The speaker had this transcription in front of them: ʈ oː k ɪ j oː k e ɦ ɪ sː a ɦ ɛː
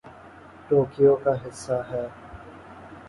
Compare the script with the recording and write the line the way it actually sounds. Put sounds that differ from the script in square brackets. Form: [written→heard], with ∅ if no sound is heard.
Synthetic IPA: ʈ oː k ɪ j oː k [e→a] ɦ ɪ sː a ɦ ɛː